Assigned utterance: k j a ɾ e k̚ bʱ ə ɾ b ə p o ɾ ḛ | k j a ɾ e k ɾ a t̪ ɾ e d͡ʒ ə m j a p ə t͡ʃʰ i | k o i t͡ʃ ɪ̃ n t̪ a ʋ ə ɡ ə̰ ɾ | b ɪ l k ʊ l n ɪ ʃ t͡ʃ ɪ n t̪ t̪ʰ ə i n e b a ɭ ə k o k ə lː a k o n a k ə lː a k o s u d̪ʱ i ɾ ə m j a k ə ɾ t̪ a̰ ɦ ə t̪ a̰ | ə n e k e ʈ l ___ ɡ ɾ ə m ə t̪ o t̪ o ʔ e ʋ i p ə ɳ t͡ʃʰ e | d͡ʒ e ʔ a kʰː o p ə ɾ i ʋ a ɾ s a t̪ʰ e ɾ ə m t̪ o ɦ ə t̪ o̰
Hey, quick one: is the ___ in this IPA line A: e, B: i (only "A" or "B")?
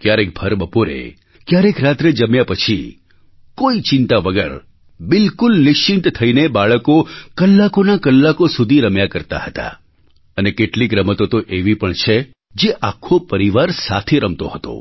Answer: B